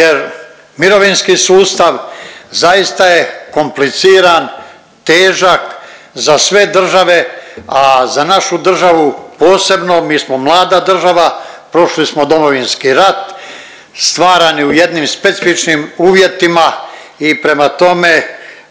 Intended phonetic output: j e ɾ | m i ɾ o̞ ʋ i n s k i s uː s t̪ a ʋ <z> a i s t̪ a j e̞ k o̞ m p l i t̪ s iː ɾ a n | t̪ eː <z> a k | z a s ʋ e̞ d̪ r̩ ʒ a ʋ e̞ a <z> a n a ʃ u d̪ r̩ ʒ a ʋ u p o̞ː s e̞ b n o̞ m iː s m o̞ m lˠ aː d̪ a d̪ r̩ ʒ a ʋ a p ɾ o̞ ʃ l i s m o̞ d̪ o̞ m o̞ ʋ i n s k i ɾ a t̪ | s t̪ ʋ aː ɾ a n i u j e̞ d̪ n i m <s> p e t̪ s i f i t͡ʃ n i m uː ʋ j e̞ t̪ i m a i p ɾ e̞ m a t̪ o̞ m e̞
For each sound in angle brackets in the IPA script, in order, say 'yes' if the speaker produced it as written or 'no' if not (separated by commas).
yes, no, yes, yes